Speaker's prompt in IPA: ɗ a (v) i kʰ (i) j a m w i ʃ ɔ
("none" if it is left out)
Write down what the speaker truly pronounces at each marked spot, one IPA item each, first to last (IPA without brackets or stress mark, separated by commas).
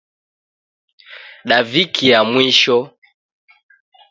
v, i